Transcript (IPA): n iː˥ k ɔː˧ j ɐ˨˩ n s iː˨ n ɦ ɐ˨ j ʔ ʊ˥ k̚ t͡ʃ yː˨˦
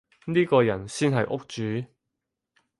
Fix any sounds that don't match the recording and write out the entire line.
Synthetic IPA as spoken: n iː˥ k ɔː˧ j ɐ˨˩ n s iː˥ n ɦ ɐ˨ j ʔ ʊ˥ k̚ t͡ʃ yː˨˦